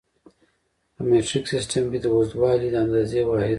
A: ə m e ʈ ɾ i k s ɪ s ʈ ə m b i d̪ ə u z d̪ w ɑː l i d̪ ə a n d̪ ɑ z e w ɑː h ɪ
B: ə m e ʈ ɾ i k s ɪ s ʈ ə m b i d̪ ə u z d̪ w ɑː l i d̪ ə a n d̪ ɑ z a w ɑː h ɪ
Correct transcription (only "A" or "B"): A